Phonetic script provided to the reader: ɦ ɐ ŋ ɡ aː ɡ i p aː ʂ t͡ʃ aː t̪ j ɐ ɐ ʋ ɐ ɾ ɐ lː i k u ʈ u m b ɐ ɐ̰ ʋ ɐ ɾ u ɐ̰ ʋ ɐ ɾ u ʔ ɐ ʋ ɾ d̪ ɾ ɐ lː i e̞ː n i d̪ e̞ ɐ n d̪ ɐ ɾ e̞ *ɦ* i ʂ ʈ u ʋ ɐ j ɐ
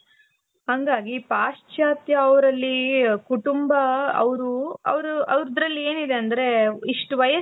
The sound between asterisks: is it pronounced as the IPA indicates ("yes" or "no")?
no